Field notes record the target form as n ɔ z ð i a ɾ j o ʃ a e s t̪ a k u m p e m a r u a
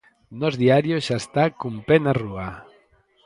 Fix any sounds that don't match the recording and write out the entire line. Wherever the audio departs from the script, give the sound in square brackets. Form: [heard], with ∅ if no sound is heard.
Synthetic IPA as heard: n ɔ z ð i a ɾ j o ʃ a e s t̪ a k u m p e [n] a r u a